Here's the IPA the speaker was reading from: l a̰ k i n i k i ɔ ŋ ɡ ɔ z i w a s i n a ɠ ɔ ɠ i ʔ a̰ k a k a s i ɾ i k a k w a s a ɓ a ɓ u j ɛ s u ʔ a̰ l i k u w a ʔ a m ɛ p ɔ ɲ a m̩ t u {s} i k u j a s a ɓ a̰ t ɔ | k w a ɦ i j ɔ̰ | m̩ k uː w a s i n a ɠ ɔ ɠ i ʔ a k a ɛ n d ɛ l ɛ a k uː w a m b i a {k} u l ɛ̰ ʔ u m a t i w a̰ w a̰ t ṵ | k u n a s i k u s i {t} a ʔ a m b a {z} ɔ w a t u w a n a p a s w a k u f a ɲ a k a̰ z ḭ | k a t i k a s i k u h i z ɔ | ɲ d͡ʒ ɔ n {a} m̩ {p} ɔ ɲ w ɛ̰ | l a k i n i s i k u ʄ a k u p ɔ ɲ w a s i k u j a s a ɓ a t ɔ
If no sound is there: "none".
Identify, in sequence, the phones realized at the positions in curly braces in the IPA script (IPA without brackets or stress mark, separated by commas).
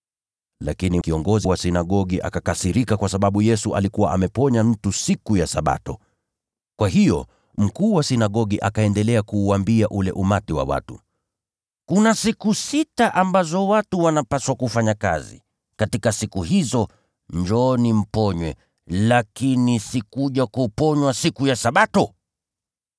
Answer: s, ʔ, t, z, i, p